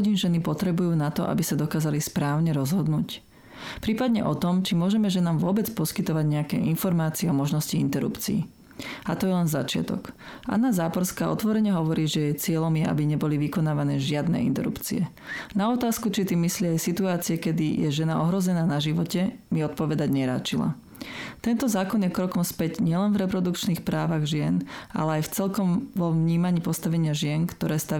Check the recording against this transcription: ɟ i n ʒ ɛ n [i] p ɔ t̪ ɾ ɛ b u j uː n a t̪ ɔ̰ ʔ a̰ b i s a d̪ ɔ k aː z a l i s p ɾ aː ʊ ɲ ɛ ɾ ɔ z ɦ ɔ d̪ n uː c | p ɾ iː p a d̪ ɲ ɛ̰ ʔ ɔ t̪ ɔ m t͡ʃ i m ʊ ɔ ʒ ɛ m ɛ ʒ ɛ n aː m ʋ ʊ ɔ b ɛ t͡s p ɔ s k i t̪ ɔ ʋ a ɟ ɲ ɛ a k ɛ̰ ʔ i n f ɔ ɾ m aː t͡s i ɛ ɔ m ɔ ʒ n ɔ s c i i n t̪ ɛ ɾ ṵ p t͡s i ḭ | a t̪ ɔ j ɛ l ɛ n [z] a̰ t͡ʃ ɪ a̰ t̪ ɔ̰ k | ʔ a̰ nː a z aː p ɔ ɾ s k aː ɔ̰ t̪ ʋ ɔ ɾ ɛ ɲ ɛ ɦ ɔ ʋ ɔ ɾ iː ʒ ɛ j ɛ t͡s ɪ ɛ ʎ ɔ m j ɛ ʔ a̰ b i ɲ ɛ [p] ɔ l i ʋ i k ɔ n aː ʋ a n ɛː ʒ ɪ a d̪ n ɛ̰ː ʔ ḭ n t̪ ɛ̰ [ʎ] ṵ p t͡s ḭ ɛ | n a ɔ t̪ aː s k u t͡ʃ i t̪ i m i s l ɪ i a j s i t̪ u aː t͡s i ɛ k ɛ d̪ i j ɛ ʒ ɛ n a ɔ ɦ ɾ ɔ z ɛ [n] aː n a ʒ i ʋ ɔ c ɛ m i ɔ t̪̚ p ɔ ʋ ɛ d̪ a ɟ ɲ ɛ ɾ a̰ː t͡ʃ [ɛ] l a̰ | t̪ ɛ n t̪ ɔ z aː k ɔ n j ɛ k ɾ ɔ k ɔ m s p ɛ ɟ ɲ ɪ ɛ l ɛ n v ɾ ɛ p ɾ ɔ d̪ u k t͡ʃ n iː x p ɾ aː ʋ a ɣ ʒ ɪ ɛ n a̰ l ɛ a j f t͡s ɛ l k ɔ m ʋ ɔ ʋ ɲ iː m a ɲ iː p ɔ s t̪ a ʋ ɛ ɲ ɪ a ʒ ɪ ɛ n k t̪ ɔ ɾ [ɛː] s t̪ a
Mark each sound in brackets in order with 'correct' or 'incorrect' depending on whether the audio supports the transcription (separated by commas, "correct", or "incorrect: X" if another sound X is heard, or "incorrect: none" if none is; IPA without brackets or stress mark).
correct, correct, incorrect: b, incorrect: ɾ, correct, incorrect: i, correct